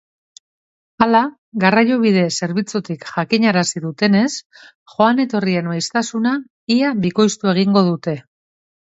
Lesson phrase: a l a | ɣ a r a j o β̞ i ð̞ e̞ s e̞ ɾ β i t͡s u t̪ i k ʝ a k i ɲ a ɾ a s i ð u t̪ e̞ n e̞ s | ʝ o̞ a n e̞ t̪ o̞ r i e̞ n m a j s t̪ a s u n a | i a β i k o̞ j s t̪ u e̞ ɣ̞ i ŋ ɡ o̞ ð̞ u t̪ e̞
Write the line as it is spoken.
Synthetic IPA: a l a | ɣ a r a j o β̞ i ð̞ e̞ s e̞ ɾ β i t͡s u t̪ i k ʝ a k i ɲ a ɾ a s i ð u t̪ e̞ n e̞ s | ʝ o̞ a n e̞ t̪ o̞ r i e̞ n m a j s t̪ a s u n a | i a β i k o̞ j s t̪ u e̞ ɣ̞ i ŋ ɡ o̞ ð̞ u t̪ e̞